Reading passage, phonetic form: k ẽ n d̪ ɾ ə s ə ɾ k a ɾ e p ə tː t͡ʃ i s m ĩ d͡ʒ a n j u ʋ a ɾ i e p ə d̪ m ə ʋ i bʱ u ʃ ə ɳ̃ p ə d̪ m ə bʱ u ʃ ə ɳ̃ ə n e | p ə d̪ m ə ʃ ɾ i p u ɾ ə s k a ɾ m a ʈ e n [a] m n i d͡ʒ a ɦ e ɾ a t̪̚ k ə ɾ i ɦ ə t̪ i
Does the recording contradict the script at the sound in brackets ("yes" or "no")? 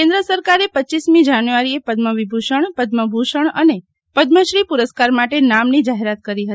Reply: no